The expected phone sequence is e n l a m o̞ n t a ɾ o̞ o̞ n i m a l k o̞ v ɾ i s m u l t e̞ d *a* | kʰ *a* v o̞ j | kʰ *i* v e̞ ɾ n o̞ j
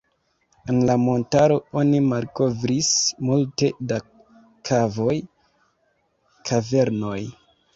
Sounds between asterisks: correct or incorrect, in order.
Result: correct, correct, incorrect: a

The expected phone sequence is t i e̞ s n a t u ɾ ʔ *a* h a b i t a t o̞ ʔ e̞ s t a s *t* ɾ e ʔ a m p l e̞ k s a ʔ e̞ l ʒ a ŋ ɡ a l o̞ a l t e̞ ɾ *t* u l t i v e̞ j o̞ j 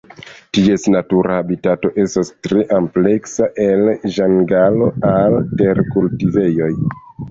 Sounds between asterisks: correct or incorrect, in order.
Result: correct, correct, incorrect: k

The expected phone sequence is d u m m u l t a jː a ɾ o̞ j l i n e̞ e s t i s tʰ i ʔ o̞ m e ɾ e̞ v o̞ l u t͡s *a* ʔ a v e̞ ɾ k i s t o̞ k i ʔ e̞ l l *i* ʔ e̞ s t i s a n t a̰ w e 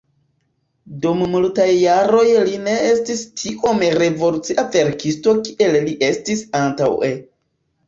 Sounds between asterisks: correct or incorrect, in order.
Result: incorrect: i, correct

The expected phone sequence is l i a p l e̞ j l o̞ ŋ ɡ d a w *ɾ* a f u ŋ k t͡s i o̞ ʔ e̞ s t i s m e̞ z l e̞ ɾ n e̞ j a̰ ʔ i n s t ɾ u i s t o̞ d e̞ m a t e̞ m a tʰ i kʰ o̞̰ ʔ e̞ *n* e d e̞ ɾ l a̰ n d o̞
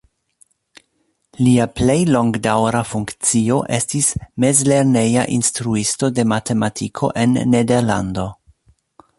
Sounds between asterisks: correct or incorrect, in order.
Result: correct, incorrect: nː

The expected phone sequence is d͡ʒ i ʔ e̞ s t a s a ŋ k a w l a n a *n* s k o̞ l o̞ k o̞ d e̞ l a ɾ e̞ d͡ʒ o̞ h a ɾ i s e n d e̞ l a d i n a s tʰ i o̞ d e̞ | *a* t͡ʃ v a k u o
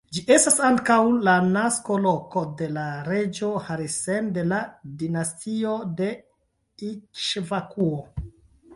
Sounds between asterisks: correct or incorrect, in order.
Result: incorrect: none, incorrect: i

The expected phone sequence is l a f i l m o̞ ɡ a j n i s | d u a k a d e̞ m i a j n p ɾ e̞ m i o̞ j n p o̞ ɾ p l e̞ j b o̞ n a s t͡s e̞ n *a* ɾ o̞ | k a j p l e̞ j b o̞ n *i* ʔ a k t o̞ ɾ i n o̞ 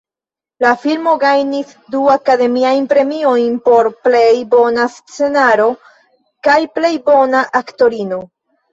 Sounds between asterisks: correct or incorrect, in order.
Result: correct, incorrect: a

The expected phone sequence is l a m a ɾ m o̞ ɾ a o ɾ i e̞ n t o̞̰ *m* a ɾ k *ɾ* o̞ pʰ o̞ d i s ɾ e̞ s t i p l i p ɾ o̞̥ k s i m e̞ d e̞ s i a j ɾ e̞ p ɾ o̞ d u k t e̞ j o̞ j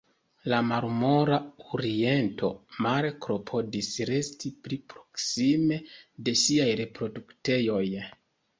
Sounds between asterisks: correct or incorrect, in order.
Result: correct, correct

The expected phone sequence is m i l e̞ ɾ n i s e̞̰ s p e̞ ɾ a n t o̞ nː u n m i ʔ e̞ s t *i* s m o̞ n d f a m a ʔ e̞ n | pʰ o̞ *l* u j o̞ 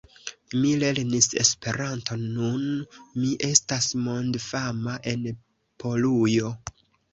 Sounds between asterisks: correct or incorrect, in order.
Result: incorrect: a, correct

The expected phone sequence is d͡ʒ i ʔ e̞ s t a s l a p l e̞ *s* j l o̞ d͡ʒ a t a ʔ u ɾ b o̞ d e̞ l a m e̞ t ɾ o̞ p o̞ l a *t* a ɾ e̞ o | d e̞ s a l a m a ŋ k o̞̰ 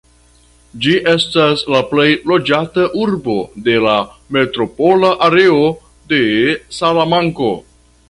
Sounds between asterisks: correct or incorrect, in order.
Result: incorrect: none, incorrect: ʔ

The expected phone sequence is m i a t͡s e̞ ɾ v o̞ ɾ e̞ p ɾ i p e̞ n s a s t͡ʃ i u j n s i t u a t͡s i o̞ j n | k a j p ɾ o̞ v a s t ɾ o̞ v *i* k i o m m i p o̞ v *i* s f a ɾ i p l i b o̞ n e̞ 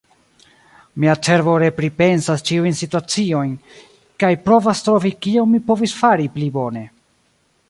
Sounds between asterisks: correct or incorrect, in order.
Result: correct, correct

